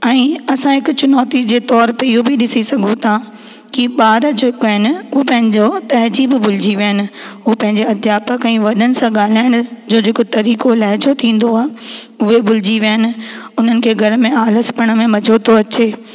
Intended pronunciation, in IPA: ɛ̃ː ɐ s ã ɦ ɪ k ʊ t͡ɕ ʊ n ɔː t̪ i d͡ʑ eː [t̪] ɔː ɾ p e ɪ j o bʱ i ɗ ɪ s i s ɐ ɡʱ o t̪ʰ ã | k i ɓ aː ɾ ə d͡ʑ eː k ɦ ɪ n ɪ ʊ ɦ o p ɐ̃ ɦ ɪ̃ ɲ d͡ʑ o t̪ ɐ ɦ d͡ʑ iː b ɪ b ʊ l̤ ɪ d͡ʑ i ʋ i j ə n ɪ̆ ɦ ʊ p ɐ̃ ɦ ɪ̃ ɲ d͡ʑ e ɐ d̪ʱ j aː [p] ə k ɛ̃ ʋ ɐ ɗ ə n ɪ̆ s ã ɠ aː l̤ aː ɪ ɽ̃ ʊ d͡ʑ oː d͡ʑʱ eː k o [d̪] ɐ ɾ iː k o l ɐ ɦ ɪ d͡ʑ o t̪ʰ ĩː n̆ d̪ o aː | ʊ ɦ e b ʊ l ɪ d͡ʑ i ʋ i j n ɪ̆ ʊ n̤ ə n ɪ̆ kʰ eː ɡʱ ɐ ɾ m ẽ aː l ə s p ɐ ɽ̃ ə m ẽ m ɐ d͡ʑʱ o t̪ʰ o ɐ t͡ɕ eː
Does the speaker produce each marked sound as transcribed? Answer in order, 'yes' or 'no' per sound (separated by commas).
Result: yes, yes, no